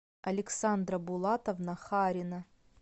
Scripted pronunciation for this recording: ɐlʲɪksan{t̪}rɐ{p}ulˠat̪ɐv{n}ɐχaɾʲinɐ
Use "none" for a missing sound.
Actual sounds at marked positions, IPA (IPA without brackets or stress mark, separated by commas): d̪, b, n